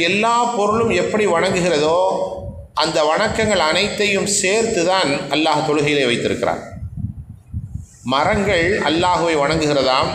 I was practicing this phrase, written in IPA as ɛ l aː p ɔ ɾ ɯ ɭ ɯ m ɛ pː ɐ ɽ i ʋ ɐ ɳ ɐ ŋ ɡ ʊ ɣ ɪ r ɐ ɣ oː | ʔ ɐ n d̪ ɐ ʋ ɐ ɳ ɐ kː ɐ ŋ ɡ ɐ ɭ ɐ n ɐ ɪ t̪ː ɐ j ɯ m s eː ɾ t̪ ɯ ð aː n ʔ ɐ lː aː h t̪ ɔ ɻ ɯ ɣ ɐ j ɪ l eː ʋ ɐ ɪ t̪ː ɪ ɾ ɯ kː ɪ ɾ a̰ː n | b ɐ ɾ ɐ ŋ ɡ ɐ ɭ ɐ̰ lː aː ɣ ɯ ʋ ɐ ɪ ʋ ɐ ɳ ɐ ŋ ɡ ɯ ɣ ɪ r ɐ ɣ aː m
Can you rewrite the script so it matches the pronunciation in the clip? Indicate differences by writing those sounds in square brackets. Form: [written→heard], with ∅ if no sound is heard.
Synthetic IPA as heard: ɛ [l→lː] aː p ɔ ɾ ɯ ɭ ɯ m ɛ pː ɐ ɽ i ʋ ɐ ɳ ɐ ŋ ɡ [ʊ→ɯ] ɣ ɪ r ɐ [ɣ→ð] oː | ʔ ɐ n d̪ ɐ ʋ ɐ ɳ ɐ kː ɐ ŋ ɡ ɐ ɭ ɐ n ɐ ɪ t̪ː ɐ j ɯ m s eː ɾ t̪ ɯ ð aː n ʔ ɐ lː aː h t̪ ɔ ɻ ɯ ɣ ɐ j ɪ l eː ʋ ɐ ɪ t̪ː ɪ ɾ ɯ kː ɪ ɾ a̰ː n | [b→m] ɐ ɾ ɐ ŋ ɡ ɐ ɭ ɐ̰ lː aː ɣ ɯ ʋ ɐ ɪ ʋ ɐ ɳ ɐ ŋ ɡ ɯ ɣ ɪ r ɐ [ɣ→ð] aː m